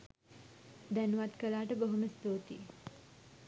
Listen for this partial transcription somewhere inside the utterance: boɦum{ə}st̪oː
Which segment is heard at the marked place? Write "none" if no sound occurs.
ə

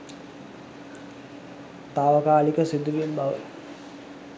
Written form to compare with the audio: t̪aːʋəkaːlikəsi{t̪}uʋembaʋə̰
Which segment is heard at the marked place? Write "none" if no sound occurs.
d̪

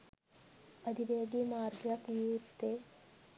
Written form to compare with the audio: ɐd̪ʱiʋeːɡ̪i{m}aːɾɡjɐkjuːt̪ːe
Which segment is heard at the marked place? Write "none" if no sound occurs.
m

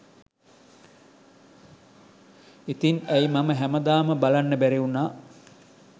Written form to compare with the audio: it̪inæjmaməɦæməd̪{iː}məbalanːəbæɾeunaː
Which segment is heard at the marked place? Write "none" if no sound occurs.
aː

